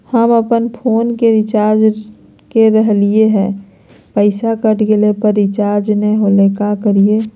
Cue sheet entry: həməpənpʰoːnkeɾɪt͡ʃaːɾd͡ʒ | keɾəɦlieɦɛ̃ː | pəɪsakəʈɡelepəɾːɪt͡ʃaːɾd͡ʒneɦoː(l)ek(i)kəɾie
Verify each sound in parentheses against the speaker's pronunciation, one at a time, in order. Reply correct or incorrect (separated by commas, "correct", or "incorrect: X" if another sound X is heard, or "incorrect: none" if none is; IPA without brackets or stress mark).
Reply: correct, incorrect: a